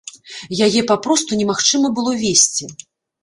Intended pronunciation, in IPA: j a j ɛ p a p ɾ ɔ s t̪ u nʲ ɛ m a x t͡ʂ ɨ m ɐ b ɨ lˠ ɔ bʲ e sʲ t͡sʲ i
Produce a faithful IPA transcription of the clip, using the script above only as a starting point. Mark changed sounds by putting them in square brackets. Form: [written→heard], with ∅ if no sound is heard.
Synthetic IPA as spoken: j a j ɛ p a p ɾ ɔ s t̪ u nʲ ɛ m a x t͡ʂ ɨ m ɐ b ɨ lˠ ɔ [bʲ→vʲ] e sʲ t͡sʲ i